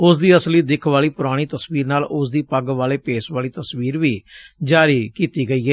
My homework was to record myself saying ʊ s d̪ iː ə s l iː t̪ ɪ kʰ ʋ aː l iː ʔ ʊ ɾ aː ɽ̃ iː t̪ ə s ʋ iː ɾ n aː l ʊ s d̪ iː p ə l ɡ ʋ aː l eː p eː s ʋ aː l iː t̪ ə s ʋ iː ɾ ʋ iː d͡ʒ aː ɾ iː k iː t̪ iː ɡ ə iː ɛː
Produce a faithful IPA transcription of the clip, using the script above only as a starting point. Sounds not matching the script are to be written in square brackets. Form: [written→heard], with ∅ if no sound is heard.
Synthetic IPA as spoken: ʊ s d̪ iː ə s l iː [t̪→d̪] ɪ kʰ ʋ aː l iː [ʔ→p] ʊ ɾ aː ɽ̃ iː t̪ ə s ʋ iː ɾ n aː l ʊ s d̪ iː p ə [l→∅] ɡ ʋ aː l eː p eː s ʋ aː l iː t̪ ə s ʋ iː ɾ ʋ iː d͡ʒ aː ɾ iː k iː t̪ iː ɡ ə iː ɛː